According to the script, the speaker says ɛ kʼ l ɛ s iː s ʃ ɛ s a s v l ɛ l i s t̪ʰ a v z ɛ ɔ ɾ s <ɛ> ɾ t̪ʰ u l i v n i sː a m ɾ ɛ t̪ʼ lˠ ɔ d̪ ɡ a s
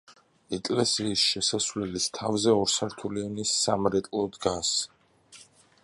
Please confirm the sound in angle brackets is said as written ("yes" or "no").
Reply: no